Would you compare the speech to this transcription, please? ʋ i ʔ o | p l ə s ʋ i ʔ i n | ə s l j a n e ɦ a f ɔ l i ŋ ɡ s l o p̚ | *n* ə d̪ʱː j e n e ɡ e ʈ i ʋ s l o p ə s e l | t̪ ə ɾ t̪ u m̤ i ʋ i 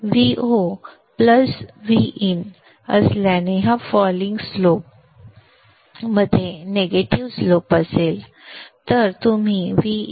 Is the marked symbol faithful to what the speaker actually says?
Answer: no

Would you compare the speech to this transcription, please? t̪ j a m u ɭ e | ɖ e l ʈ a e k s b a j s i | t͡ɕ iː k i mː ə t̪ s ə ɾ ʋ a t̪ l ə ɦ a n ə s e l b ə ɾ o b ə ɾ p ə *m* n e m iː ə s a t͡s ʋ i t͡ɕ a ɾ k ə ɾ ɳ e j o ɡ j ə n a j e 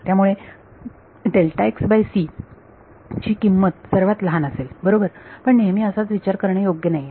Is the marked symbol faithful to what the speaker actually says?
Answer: no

